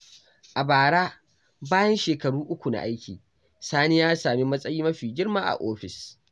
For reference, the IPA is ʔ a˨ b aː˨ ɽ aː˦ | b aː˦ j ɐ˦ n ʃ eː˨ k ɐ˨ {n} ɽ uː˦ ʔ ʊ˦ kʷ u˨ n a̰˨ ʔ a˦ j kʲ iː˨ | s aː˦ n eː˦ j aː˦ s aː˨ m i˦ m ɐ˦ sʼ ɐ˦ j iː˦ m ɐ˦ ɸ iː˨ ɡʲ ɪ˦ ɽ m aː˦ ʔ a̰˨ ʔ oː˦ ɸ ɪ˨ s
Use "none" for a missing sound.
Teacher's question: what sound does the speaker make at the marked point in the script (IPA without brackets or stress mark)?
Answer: none